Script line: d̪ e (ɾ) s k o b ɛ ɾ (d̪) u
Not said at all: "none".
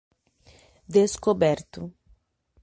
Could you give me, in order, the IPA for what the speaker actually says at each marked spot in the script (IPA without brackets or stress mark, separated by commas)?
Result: none, t̪